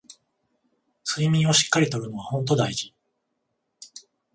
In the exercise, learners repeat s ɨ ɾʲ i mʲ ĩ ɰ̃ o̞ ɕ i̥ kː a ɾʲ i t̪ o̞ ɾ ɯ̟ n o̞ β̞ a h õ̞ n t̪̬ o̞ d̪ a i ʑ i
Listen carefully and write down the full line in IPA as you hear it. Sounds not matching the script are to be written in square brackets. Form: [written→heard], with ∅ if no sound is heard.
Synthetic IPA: s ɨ [ɾʲ→∅] i mʲ ĩ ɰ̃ o̞ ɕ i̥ kː a ɾʲ i t̪ o̞ ɾ ɯ̟ n o̞ β̞ a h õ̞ n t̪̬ o̞ d̪ a i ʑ i